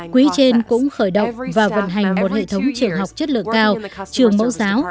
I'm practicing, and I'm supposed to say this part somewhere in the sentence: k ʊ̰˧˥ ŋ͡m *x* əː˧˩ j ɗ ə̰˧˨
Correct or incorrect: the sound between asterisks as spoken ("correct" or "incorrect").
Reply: correct